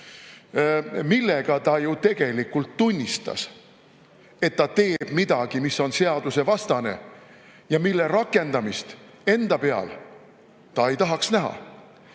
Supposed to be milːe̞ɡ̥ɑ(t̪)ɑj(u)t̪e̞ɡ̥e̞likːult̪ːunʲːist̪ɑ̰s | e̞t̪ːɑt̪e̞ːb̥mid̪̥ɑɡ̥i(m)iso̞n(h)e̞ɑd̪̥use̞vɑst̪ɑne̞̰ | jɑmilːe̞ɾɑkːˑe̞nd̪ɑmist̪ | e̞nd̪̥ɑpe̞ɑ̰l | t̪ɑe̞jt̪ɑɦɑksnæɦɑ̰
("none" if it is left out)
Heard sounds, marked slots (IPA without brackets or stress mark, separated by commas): t̪, u, m, s